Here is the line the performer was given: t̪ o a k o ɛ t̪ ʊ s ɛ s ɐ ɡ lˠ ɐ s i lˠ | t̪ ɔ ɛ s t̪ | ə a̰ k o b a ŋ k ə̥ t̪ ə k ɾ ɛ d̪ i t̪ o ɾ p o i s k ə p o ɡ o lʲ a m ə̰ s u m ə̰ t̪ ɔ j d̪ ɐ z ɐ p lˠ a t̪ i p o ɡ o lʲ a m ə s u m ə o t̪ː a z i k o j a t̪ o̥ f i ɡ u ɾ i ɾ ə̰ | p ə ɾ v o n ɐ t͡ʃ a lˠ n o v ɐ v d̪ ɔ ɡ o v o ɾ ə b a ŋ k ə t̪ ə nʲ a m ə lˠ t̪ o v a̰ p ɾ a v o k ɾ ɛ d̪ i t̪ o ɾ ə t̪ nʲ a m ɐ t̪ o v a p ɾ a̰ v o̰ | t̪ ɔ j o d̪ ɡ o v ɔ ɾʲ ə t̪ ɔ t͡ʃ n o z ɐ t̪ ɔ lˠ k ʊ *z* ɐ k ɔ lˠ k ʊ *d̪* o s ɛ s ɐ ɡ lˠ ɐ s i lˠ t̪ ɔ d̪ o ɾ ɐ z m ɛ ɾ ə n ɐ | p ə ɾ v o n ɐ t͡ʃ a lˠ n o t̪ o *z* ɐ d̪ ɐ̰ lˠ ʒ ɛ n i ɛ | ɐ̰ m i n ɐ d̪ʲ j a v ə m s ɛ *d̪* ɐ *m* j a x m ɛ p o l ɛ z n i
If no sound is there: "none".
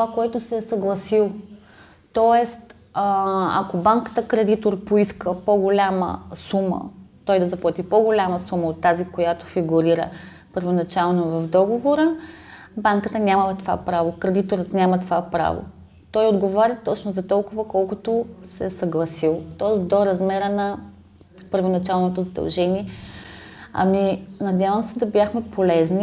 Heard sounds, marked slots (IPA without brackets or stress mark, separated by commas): v, t̪, z, d̪, b